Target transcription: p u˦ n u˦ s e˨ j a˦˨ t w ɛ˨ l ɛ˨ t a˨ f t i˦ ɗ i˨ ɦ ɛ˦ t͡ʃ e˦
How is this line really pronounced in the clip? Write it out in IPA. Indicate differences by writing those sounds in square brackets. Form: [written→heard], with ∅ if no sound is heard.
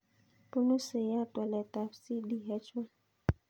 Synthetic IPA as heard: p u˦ n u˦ s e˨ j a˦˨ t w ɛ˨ l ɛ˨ t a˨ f [t→s] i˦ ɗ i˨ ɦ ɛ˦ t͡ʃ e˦